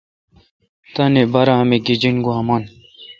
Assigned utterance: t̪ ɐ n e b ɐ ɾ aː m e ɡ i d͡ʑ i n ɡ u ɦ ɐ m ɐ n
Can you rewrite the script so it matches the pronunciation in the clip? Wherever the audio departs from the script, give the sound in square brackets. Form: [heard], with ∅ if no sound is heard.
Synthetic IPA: t̪ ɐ n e b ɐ ɾ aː m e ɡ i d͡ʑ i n ɡ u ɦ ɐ m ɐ n